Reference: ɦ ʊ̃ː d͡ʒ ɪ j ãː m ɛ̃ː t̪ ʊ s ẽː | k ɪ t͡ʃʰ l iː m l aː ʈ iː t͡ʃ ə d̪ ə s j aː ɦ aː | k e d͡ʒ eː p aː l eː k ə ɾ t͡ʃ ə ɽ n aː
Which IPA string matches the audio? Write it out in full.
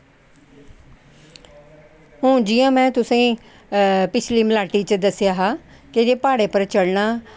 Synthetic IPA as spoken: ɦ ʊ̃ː d͡ʒ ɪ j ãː m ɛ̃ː t̪ ʊ s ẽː | p ɪ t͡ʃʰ l iː m l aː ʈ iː t͡ʃ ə d̪ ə s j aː ɦ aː | k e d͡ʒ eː p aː ɽ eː p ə ɾ t͡ʃ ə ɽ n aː